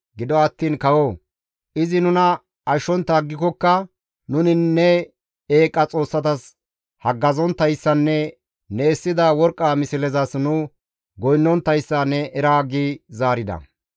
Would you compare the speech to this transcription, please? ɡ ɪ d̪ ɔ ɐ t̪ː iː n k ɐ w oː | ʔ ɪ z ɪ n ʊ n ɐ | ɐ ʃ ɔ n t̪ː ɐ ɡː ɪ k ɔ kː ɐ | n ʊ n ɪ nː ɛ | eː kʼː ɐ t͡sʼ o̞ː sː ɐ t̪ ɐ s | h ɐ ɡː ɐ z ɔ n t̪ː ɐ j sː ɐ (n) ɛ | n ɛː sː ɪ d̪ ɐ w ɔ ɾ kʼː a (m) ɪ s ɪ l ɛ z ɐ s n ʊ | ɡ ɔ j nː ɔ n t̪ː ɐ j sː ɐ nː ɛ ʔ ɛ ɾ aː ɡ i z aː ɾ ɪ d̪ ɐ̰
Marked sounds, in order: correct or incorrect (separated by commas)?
incorrect, correct